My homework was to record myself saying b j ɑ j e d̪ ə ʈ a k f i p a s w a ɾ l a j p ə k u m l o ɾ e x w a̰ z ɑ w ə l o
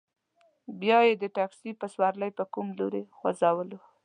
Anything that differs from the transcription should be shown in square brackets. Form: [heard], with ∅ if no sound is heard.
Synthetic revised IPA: b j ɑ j e d̪ ə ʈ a k [s] i p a s w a ɾ l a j p ə k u m l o ɾ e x w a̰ z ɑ w ə l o